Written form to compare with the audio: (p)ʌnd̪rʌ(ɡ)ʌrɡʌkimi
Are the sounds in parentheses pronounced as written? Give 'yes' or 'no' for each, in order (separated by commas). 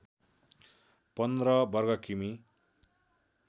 yes, no